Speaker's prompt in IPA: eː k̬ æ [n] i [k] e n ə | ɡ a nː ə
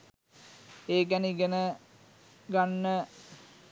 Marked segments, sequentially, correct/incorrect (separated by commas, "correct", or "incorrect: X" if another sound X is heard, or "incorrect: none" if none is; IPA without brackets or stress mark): correct, incorrect: ɡ